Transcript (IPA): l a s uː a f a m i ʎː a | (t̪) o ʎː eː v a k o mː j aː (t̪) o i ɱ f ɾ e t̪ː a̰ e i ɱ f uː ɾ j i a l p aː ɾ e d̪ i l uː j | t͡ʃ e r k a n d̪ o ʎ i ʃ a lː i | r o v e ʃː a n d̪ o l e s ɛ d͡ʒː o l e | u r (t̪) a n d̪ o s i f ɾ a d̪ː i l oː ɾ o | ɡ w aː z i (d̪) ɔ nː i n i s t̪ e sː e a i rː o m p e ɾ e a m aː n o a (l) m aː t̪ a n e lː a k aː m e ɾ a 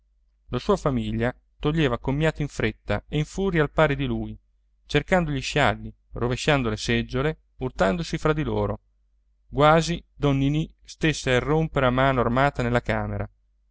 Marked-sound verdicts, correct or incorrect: correct, correct, correct, correct, incorrect: r

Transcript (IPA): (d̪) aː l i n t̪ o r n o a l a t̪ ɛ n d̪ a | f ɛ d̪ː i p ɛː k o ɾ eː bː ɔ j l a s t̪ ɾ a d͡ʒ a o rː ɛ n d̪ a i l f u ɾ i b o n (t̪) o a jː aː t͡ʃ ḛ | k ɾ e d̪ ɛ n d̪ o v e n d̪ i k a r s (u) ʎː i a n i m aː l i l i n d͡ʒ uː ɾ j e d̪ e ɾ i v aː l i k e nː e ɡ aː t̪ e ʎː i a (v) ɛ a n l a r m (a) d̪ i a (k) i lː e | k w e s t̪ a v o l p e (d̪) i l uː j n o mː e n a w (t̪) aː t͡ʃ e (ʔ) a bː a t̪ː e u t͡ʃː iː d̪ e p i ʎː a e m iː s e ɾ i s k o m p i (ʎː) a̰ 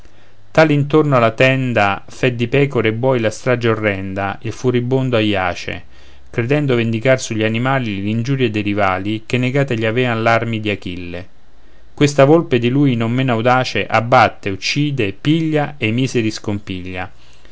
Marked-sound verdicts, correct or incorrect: incorrect: t̪, incorrect: d̪, correct, correct, incorrect: i, correct, correct, incorrect: d̪, correct, correct

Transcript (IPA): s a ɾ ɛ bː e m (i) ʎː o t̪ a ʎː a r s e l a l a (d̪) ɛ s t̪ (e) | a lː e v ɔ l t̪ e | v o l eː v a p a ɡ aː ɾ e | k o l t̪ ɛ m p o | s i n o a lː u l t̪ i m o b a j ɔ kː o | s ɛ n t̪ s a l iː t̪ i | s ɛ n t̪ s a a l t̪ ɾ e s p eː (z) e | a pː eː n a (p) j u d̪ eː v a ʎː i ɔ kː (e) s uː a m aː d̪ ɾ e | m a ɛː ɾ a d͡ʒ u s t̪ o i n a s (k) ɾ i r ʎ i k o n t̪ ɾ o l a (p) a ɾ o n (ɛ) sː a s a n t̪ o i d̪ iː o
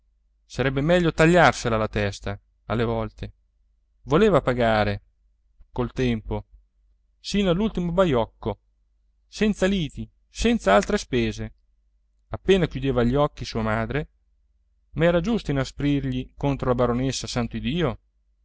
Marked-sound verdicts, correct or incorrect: incorrect: ɛ, incorrect: t̪, incorrect: a, correct, incorrect: k, incorrect: i, incorrect: p, incorrect: b, incorrect: e

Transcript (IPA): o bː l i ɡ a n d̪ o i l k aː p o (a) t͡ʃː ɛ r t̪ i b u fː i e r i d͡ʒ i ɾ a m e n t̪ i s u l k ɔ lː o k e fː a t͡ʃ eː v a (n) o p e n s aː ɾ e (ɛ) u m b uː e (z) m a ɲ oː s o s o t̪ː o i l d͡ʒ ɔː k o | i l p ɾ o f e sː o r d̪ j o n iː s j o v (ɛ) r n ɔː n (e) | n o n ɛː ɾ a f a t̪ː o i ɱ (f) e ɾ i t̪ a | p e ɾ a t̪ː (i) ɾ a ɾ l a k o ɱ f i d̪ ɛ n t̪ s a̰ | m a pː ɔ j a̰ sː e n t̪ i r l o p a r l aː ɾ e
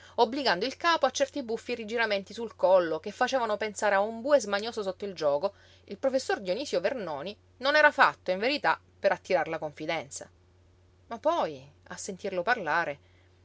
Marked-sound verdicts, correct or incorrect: correct, correct, incorrect: a, correct, incorrect: e, incorrect: i, incorrect: v, correct

